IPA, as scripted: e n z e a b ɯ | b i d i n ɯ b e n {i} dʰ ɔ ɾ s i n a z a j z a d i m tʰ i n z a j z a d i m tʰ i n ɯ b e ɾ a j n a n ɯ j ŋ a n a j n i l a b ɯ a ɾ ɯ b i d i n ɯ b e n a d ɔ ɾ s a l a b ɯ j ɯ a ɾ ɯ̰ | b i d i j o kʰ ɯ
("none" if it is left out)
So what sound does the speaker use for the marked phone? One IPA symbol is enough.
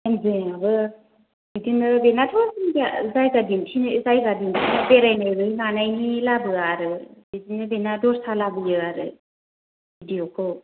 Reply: a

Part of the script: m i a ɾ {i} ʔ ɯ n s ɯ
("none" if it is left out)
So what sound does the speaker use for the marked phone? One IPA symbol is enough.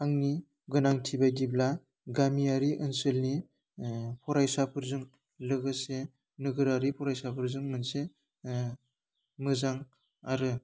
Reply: i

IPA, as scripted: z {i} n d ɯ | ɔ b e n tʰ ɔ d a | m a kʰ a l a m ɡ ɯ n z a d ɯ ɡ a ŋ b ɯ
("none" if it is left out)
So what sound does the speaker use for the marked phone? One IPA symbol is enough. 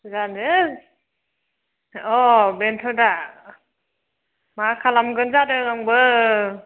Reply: a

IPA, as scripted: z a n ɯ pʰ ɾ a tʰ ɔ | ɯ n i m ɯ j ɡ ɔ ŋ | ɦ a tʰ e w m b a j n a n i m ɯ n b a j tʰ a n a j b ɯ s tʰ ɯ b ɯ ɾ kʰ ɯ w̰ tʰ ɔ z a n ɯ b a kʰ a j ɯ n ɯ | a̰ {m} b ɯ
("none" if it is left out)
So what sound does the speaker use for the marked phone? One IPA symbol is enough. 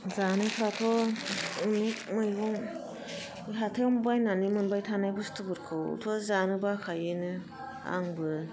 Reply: ŋ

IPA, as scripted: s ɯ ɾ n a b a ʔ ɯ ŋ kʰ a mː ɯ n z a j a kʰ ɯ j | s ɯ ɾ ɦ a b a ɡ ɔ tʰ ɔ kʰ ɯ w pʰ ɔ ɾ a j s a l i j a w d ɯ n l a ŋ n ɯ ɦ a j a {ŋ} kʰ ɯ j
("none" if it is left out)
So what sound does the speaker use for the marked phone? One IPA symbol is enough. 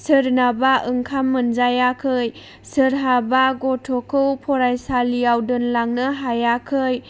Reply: none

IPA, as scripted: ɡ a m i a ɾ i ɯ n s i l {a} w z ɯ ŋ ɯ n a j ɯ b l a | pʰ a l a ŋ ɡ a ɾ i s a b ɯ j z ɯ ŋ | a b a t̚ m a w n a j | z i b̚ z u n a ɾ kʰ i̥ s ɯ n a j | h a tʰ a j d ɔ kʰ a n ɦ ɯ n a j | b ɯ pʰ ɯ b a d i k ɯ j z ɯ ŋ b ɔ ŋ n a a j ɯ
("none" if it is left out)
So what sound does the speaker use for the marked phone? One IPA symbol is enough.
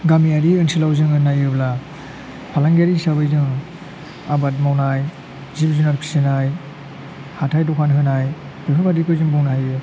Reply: a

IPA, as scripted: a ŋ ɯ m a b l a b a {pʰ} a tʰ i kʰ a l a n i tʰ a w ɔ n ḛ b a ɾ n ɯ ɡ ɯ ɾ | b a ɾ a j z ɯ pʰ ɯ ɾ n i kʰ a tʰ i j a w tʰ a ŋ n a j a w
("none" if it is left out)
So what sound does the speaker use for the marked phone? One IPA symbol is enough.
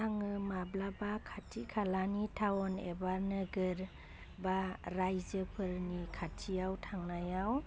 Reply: kʰ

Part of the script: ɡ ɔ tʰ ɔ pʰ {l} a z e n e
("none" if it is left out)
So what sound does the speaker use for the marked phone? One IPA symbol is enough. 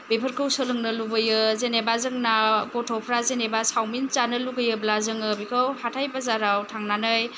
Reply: ɾ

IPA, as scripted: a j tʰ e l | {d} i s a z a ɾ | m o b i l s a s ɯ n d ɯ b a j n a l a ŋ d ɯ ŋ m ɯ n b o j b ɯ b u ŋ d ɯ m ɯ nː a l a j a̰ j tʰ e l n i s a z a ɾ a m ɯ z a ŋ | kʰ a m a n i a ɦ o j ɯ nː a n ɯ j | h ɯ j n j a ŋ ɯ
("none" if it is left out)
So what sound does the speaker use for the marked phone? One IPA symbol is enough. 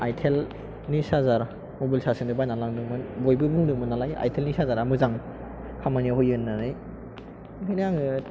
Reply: n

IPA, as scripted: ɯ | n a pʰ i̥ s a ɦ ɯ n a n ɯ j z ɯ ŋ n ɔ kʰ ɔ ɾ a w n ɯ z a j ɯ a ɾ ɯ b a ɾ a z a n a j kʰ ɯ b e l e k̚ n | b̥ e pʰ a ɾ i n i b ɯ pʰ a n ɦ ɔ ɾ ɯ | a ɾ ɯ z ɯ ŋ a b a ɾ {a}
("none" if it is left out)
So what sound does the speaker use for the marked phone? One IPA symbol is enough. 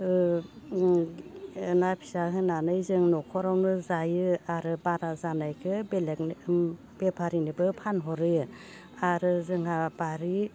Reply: i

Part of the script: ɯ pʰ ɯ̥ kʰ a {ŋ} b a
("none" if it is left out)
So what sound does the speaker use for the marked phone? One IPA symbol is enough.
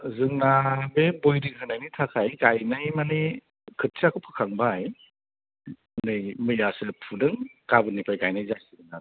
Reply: ŋ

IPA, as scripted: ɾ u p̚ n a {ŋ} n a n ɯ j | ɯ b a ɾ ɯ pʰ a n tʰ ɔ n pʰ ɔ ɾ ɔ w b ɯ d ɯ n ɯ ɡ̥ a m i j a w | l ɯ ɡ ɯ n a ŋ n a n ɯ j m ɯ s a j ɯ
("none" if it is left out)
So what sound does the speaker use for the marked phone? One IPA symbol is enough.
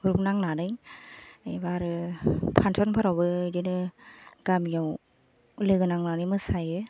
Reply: ŋ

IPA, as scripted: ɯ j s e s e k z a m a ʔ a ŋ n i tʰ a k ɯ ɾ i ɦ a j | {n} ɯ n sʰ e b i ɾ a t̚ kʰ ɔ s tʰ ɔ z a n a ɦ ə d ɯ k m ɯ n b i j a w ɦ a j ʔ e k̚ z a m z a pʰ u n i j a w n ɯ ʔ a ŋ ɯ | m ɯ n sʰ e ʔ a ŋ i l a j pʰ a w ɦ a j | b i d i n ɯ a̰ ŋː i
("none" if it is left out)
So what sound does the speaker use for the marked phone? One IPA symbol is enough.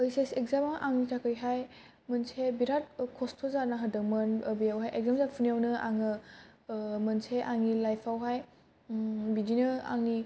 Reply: m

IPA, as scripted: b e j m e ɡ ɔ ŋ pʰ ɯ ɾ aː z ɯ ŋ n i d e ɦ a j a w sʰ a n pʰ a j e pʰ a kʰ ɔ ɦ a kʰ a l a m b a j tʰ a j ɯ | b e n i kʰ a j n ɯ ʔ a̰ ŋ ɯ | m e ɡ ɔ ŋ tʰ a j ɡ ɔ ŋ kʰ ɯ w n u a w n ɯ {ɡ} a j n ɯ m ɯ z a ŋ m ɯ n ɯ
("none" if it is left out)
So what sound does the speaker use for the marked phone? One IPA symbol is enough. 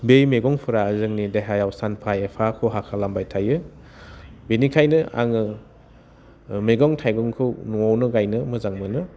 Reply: ɡ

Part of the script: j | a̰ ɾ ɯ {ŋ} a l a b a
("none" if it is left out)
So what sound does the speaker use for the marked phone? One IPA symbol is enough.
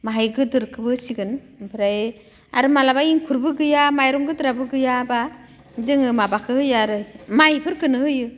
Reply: m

